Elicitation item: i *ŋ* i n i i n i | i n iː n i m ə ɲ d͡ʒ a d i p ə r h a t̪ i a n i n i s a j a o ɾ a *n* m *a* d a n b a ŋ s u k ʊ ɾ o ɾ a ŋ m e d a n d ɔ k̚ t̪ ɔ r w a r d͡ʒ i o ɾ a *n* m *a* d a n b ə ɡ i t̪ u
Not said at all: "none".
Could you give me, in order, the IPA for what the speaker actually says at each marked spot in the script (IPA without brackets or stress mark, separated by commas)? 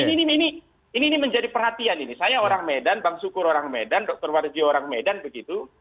n, ŋ, e, ŋ, e